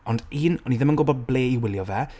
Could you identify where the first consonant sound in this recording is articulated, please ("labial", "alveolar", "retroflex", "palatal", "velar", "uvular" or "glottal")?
alveolar